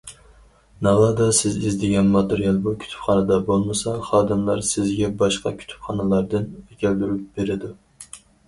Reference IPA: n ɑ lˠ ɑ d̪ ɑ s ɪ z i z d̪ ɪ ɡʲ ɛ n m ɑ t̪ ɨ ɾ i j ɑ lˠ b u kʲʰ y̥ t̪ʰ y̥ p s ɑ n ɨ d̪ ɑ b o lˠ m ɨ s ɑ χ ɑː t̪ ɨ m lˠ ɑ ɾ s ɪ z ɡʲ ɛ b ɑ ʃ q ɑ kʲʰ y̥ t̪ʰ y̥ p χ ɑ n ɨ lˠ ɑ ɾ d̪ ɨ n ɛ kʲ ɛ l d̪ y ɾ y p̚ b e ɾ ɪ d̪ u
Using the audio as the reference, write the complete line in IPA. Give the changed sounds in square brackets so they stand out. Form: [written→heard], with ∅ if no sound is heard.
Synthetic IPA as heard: n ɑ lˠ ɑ d̪ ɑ s ɪ z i z d̪ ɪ ɡʲ ɛ n m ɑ t̪ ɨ ɾ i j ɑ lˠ b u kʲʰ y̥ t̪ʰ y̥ p [s→χ] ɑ n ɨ d̪ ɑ b o lˠ m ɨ s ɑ χ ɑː [t̪→d̪] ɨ m lˠ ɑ ɾ s ɪ z ɡʲ ɛ b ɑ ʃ q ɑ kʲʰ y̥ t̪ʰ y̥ p χ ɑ n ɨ lˠ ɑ ɾ d̪ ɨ n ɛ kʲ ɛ l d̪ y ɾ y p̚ b e ɾ ɪ d̪ u